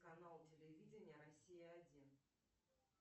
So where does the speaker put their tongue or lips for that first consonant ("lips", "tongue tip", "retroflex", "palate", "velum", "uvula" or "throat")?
velum